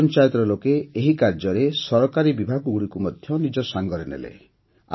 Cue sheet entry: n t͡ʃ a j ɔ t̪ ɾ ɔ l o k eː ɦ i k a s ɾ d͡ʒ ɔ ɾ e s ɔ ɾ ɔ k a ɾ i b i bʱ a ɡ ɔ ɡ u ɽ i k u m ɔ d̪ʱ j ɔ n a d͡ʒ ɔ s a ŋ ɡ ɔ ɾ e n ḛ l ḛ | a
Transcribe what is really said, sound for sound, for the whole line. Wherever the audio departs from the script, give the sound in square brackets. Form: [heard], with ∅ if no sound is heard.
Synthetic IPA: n t͡ʃ a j ɔ t̪ ɾ ɔ l o k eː ɦ i k a [∅] ɾ d͡ʒ ɔ ɾ e s ɔ ɾ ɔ k a ɾ i b i bʱ a ɡ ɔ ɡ u ɽ i k u m ɔ d̪ʱ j ɔ n [i] d͡ʒ ɔ s a ŋ ɡ ɔ ɾ e n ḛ l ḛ | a